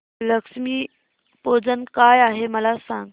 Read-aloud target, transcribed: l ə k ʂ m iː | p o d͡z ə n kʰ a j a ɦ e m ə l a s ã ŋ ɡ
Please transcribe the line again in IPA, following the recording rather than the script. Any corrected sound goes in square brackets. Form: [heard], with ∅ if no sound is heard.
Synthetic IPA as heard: l ə k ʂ m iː | p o d͡z ə n [k] a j a ɦ e m ə l a s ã ŋ ɡ